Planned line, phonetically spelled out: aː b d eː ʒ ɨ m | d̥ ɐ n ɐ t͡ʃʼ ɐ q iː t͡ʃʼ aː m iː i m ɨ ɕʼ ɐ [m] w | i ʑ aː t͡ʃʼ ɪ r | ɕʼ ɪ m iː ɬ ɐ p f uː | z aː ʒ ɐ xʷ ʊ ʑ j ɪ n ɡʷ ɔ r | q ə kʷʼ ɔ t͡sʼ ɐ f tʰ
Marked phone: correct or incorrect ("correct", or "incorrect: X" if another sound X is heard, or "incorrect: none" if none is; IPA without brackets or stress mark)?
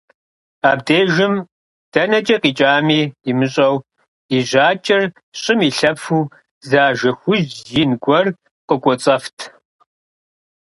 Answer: incorrect: none